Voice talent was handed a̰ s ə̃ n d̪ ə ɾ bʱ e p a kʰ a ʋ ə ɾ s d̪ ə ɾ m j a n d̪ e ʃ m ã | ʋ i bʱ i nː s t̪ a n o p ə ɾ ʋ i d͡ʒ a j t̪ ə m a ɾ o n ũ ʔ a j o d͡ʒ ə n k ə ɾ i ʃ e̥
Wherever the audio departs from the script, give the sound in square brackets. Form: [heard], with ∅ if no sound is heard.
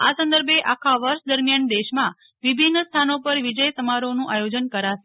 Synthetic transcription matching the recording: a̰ s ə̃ n d̪ ə ɾ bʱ e [ʔ] a kʰ a ʋ ə ɾ [ʃ] d̪ ə ɾ m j a n d̪ e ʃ m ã | ʋ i bʱ i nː s [t̪ʰ] a n o p ə ɾ ʋ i d͡ʒ [ə] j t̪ ə m a ɾ o n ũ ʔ a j o d͡ʒ ə n k ə ɾ [a] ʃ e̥

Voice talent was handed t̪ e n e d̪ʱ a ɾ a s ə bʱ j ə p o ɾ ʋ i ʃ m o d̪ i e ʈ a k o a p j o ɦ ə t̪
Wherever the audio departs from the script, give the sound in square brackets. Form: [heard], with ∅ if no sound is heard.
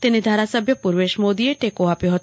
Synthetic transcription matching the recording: t̪ e n e d̪ʱ a ɾ a s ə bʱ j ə p [u] ɾ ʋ [e] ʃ m o d̪ i e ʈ [e] k o a p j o ɦ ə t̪

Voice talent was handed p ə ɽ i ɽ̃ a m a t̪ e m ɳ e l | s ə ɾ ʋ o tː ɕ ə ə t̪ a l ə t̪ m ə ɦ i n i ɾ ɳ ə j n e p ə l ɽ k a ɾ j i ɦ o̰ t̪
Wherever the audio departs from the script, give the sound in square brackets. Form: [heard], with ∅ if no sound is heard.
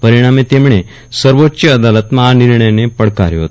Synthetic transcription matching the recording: p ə [ɾ] i ɽ̃ a m [e] t̪ e m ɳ e [∅] | s ə ɾ ʋ o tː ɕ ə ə [d̪] a l ə t̪ m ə ɦ [a] n i ɾ ɳ ə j n e p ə [∅] ɽ k a ɾ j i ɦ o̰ t̪

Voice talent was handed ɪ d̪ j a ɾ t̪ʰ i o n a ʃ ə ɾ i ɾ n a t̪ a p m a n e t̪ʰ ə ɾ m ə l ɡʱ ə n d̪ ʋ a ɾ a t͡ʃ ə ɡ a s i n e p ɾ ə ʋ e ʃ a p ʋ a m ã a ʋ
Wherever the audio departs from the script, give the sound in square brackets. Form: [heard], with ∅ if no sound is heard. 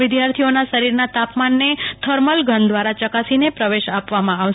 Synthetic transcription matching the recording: ɪ d̪ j a ɾ t̪ʰ i o n a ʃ ə ɾ i ɾ n a t̪ a p m a [nː] e t̪ʰ ə ɾ m ə l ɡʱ ə n d̪ ʋ a ɾ a t͡ʃ ə [k] a s i n e p ɾ ə ʋ e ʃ a p ʋ a m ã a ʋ

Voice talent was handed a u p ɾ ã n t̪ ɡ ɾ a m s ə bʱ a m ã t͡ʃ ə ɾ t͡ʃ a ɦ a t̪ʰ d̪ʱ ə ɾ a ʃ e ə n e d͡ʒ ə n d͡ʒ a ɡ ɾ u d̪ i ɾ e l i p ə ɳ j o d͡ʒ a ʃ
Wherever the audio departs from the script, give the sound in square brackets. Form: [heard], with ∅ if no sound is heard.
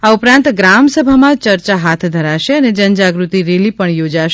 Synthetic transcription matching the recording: a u p ɾ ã n t̪ ɡ ɾ a m s ə bʱ a m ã t͡ʃ ə ɾ t͡ʃ a ɦ a t̪ʰ d̪ʱ ə ɾ a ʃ e ə n e d͡ʒ ə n d͡ʒ a ɡ ɾ u [t̪] i ɾ e l i p ə ɳ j o d͡ʒ a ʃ

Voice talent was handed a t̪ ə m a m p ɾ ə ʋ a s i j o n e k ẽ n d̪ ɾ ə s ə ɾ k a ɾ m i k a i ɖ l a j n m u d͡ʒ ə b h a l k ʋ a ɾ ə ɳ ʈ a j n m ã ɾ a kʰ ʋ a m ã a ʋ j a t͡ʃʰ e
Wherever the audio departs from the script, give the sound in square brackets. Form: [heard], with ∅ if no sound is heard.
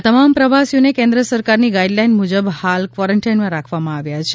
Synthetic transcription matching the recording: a t̪ ə m a m p ɾ ə ʋ a s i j o n e k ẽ n d̪ ɾ ə s ə ɾ k a ɾ [n] i [ɡ] a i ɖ l a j n m u d͡ʒ ə b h a l k ʋ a ɾ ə ɳ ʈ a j n m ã ɾ a kʰ ʋ a m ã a ʋ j a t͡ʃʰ e

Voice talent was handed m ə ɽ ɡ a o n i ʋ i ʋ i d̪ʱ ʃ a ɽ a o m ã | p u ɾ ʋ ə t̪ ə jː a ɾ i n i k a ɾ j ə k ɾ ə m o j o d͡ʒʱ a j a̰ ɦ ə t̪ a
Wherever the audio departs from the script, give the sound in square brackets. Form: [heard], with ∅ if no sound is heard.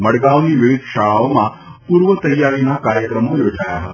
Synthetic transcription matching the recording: m ə ɽ ɡ a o n i ʋ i ʋ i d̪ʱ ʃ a [ɭ] a o m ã | p u ɾ ʋ ə t̪ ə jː a ɾ i n [a] k a ɾ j ə k ɾ ə m o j o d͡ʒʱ a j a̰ ɦ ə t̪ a

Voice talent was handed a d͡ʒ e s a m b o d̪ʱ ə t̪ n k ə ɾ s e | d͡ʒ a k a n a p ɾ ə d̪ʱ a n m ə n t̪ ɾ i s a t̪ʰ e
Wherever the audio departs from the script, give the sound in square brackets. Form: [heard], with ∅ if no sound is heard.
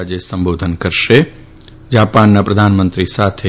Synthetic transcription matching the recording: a d͡ʒ e s [ə] m b o d̪ʱ ə [∅] n k ə ɾ [ʃ] e | d͡ʒ a [p] a [nː] a p ɾ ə d̪ʱ a n m ə n t̪ ɾ i s a t̪ʰ e

